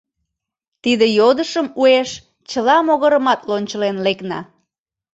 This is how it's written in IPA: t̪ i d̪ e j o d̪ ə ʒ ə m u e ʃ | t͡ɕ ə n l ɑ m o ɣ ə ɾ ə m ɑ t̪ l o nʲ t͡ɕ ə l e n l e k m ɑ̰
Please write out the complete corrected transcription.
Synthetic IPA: t̪ i d̪ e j o d̪ ə ʃ ə m u e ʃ | t͡ɕ ə l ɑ m o ɣ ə ɾ ə m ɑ t̪ l o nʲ t͡ɕ ə l e n l e k n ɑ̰